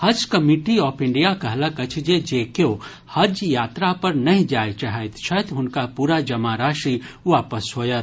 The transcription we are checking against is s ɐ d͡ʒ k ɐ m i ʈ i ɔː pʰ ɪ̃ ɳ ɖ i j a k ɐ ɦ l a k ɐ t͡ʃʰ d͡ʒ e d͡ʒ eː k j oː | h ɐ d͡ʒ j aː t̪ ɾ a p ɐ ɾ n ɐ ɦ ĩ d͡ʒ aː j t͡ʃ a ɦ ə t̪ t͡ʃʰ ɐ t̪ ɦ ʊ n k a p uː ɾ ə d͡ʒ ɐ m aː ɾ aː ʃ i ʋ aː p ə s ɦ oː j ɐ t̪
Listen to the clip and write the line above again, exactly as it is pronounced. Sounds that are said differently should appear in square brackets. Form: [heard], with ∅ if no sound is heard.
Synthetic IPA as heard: [h] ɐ d͡ʒ k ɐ m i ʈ i ɔː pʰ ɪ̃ ɳ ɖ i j a k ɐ ɦ l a k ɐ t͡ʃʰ d͡ʒ e d͡ʒ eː k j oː | h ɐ d͡ʒ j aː t̪ ɾ a p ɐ ɾ n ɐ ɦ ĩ d͡ʒ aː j t͡ʃ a ɦ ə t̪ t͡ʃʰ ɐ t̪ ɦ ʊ n k a p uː ɾ [a] d͡ʒ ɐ m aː ɾ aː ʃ i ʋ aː p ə s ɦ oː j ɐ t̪